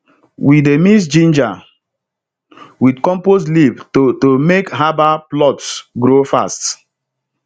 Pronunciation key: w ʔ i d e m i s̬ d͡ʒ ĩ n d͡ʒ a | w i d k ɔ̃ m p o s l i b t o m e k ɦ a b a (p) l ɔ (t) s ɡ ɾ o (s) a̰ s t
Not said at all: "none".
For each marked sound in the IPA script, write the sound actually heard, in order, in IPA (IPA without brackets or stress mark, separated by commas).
p, t, f